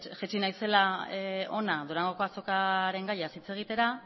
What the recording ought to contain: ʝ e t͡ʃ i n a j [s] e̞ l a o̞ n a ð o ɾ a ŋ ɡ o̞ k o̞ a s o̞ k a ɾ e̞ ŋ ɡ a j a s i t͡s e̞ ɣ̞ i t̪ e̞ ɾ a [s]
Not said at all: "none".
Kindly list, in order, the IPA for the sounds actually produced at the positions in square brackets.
s, none

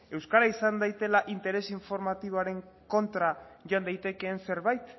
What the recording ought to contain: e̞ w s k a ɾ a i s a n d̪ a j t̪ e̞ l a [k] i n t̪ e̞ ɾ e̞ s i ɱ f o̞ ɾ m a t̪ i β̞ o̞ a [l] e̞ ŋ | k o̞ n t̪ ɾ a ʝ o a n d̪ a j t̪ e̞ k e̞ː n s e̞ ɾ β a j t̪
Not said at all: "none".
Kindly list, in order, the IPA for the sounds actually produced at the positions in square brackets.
ʔ, ɾ

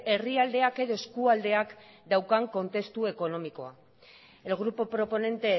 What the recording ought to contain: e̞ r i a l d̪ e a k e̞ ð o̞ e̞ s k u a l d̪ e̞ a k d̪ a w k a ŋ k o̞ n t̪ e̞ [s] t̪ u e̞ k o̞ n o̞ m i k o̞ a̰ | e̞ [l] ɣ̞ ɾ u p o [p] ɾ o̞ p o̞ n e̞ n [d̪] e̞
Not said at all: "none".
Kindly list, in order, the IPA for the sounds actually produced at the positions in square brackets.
s, l, p, t̪

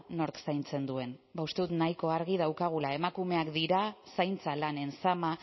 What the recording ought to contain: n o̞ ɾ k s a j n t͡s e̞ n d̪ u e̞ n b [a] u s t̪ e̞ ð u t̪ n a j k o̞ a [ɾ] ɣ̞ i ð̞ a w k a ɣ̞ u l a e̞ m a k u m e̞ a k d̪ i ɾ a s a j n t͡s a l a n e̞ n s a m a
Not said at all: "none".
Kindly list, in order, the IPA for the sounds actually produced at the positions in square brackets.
a, ɾ

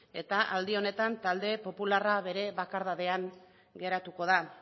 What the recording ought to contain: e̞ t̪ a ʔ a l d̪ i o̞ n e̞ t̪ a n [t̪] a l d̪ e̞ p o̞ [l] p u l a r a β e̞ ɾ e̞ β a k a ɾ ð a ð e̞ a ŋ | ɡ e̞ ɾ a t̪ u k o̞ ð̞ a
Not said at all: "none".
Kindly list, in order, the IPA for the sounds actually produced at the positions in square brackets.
t̪, none

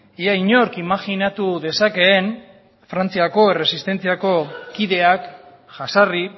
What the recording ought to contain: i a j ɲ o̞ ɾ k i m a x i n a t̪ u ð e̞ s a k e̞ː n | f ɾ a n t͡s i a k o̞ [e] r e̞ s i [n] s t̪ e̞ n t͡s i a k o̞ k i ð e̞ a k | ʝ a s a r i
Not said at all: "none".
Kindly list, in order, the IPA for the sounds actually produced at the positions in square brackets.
e, none

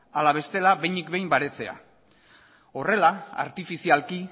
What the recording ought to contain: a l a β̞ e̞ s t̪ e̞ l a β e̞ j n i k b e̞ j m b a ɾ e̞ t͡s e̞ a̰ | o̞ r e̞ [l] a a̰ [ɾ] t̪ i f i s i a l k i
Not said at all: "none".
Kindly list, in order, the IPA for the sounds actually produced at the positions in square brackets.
l, ɾ

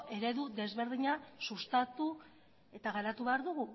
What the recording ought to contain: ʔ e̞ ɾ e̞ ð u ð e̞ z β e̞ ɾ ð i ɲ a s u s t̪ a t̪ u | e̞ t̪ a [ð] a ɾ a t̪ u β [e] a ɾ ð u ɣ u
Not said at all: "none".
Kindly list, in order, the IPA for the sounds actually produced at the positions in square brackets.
ɣ, e

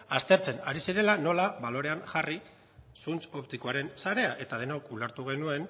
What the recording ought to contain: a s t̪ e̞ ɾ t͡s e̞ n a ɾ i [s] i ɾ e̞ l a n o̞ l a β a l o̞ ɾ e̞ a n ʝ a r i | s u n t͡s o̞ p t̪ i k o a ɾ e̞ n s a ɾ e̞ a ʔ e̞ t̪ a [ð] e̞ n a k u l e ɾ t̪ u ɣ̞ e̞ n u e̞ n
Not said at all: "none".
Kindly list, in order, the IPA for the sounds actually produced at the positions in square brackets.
s, ð

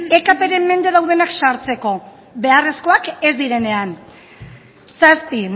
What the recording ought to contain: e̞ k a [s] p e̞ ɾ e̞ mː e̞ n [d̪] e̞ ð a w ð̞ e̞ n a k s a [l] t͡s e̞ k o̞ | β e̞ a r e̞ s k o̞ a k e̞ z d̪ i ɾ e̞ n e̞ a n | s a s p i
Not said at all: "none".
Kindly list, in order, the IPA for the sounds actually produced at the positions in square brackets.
none, d̪, ɾ

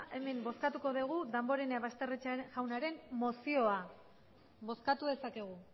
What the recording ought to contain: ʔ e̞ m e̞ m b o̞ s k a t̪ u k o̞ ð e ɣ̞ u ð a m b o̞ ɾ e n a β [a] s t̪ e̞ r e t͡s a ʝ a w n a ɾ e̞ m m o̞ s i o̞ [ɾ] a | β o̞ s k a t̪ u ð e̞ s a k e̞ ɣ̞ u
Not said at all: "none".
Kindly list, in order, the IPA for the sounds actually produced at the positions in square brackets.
a, none

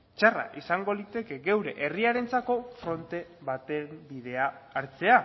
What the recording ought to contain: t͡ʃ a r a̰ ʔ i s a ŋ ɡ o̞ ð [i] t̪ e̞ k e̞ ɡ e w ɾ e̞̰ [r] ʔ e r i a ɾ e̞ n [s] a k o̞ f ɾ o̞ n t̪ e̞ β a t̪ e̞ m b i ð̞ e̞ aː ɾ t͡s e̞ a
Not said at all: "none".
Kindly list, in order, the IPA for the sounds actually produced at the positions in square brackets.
i, none, t͡s

